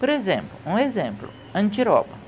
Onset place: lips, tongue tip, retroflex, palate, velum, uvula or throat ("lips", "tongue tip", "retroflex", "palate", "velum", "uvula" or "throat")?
lips